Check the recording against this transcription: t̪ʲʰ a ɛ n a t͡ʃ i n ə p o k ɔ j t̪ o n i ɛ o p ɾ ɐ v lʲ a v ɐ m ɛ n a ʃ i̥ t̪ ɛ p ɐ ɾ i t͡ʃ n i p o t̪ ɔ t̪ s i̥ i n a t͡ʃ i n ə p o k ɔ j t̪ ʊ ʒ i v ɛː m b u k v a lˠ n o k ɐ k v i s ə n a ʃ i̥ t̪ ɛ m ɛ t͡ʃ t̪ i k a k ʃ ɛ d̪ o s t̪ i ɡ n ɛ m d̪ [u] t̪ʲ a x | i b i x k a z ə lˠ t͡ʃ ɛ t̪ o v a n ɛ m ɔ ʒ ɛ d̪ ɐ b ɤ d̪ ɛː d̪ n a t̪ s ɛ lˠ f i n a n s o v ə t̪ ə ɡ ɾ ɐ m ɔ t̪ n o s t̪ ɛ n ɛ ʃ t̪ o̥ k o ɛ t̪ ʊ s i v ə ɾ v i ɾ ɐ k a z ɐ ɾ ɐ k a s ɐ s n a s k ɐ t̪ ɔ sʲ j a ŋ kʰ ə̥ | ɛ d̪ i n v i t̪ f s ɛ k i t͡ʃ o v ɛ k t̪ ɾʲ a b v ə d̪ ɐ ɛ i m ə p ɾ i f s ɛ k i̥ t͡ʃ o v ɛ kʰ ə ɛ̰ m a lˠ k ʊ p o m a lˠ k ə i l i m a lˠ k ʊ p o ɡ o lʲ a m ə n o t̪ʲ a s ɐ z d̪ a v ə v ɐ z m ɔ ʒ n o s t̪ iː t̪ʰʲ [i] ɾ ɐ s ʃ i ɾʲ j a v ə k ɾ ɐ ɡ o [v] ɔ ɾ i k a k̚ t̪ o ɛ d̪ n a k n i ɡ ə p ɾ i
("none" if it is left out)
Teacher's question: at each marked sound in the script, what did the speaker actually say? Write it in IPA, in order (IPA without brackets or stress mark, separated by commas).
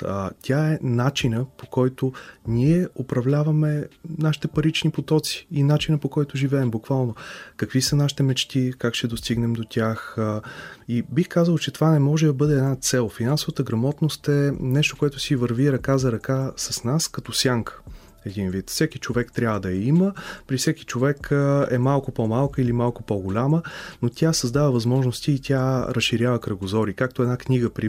o, a, z